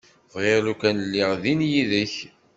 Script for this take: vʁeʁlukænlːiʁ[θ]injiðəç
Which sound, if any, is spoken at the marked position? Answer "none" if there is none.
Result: ð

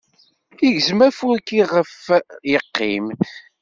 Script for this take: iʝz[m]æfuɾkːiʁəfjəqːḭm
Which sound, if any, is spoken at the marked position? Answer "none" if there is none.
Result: m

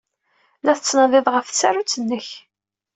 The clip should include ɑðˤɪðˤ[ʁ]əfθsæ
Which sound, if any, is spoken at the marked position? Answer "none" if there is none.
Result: ʁ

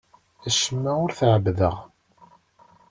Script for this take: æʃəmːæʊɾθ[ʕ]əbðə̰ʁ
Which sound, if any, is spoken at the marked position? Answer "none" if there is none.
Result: ʕ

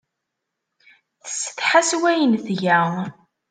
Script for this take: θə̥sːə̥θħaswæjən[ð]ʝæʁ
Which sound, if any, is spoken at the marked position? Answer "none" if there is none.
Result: θ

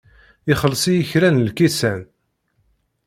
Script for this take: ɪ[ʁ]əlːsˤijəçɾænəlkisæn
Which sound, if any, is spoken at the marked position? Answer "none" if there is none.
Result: χ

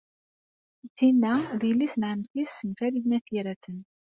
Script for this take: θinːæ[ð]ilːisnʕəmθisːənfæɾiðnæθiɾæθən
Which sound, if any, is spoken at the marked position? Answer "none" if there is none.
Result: ð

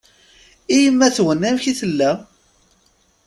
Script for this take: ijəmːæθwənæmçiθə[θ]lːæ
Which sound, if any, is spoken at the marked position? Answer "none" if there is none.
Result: none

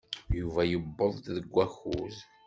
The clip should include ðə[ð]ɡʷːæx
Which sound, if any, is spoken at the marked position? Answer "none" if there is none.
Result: none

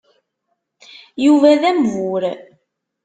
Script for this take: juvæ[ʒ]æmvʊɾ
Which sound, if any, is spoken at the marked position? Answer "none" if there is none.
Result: ð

